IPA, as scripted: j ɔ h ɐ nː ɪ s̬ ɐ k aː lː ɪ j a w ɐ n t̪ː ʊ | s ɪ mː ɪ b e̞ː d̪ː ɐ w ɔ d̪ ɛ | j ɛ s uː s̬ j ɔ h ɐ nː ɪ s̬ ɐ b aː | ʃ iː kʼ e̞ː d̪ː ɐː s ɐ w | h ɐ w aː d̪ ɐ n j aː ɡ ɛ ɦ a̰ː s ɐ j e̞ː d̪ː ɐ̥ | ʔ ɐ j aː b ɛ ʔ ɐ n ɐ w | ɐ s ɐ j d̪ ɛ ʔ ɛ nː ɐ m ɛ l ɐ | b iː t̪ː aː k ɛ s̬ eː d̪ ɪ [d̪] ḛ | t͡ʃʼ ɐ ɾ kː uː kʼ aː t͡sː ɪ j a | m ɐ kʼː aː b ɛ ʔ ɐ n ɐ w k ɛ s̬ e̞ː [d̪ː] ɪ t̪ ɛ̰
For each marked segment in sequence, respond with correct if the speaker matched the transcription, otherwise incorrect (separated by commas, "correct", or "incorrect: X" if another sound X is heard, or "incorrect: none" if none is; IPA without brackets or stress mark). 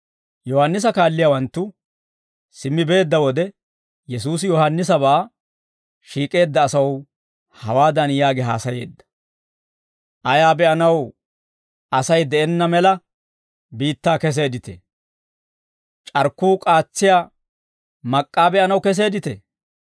incorrect: t̪, incorrect: d̪